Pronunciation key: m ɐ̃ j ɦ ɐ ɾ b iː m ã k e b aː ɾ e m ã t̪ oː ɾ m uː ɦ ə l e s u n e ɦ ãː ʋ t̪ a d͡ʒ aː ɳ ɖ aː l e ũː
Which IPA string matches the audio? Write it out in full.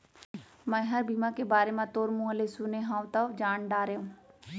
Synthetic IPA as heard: m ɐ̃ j ɦ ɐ ɾ b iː m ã k e b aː ɾ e m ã t̪ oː ɾ m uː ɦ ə l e s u n e ɦ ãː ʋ t̪ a d͡ʒ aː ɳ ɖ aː ɾ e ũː